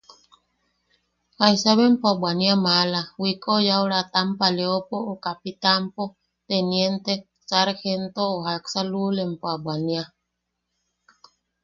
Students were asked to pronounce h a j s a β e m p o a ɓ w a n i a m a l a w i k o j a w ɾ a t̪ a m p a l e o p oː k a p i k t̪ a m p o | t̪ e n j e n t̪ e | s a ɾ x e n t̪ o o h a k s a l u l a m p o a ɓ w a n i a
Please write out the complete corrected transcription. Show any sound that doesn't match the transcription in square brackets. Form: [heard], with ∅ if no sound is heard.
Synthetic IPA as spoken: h a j s a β e m p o a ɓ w a n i a m a l a w i k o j a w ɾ a t̪ a m p a l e o p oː k a p i [∅] t̪ a m p o | t̪ e n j e n t̪ e | s a ɾ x e n t̪ o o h a k s a l u l [e] m p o a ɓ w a n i a